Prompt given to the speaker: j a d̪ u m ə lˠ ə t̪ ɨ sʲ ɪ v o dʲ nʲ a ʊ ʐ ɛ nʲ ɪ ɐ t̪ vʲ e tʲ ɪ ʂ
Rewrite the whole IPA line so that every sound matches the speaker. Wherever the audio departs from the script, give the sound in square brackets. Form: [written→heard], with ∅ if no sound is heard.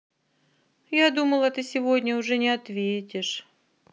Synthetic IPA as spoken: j a d̪ u m ə lˠ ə t̪ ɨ sʲ ɪ v o dʲ nʲ [a→ə] ʊ ʐ ɛ nʲ ɪ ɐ t̪ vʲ e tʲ ɪ ʂ